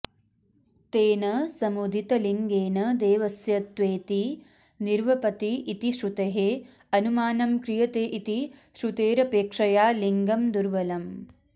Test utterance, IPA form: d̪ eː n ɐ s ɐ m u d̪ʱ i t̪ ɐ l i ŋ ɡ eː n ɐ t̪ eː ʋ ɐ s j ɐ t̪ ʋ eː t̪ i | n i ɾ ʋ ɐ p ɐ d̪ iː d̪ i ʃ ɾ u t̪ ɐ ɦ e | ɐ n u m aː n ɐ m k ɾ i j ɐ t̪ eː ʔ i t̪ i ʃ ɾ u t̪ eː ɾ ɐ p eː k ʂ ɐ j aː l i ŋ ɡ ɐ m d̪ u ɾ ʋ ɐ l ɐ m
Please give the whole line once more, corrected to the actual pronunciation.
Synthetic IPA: t̪ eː n ɐ s ɐ m u d̪ʱ i t̪ ɐ l i ŋ ɡ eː n ɐ d̪ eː ʋ ɐ s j ɐ t̪ ʋ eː t̪ i | n i ɾ ʋ ɐ p ɐ t̪ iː t̪ i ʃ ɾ u t̪ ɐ ɦ e | ɐ n u m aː n ɐ m k ɾ i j ɐ t̪ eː ʔ i t̪ i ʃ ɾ u t̪ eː ɾ ɐ p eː k ʂ ɐ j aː l i ŋ ɡ ɐ m d̪ u ɾ ʋ ɐ l ɐ m